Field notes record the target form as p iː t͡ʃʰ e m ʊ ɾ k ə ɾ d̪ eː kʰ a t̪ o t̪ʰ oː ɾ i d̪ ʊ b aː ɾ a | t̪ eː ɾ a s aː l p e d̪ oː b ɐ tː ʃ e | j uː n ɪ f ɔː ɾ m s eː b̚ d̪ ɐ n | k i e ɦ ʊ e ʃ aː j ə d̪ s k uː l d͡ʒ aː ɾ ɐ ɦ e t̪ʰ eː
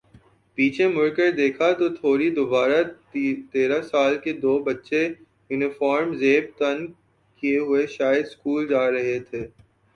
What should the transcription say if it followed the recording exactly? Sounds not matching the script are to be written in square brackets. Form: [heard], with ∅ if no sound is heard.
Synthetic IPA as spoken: p iː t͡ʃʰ e m ʊ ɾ k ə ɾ d̪ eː kʰ a t̪ o t̪ʰ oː ɾ i d̪ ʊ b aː ɾ a | t̪ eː ɾ a s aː l [k] e d̪ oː b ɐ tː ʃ e | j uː n ɪ f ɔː ɾ m [z] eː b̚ [t̪] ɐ n | k i e ɦ ʊ e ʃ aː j ə d̪ s k uː l d͡ʒ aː ɾ ɐ ɦ e t̪ʰ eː